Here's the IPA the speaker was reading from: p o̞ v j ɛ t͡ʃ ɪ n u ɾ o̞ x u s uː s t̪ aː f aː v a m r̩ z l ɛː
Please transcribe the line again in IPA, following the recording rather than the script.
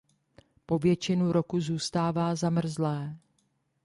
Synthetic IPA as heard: p o̞ v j ɛ t͡ʃ ɪ n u ɾ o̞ k u z uː s t̪ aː v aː z a m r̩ z l ɛː